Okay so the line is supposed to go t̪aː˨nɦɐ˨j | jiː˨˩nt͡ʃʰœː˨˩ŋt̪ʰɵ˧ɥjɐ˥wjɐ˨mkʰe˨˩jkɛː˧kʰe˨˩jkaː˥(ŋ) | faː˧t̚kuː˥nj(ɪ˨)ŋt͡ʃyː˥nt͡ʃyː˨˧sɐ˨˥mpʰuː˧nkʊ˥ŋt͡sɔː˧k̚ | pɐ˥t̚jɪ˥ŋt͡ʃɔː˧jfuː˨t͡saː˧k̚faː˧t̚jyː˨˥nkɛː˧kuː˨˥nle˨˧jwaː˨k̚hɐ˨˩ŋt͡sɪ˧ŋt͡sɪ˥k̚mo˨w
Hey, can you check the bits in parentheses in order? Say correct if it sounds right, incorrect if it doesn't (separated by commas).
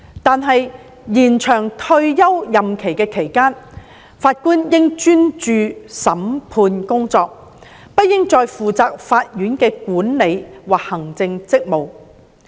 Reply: incorrect, incorrect